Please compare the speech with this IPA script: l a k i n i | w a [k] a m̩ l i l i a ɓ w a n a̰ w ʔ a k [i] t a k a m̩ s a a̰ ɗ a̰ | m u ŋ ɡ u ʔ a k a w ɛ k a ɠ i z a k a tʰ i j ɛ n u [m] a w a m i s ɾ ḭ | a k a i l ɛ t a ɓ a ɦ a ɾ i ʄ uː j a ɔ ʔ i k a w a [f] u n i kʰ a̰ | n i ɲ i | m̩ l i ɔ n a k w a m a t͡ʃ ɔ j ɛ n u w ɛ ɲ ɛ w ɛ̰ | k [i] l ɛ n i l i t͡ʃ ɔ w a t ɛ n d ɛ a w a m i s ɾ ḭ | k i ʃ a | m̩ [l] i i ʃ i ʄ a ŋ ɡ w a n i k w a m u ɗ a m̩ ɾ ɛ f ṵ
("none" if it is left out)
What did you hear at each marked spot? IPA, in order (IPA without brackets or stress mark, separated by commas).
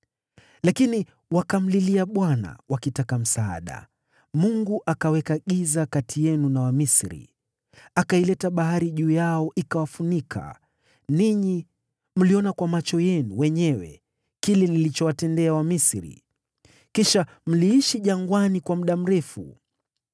k, i, n, f, i, l